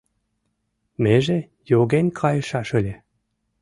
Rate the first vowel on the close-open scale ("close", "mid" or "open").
mid